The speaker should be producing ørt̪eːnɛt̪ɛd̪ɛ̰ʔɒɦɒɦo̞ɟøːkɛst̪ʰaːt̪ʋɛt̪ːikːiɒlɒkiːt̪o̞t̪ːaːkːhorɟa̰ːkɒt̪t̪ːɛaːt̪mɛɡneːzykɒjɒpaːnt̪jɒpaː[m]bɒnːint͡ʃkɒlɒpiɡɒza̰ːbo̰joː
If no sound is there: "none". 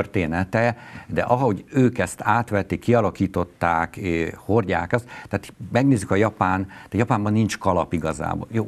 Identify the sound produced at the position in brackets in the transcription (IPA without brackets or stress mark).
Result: m